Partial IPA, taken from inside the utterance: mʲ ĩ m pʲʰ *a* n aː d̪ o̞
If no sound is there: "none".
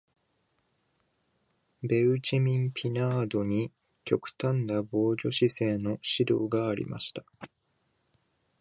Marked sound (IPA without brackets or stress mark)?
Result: i